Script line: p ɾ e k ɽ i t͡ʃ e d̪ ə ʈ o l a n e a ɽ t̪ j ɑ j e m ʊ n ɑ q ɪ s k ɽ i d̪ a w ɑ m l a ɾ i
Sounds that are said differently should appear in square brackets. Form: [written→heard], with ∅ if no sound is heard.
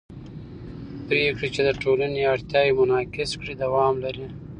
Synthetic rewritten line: p ɾ e k ɽ i t͡ʃ e d̪ ə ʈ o l a n e a ɽ t̪ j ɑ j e m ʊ n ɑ [q→k] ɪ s k ɽ i d̪ a w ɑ m l a ɾ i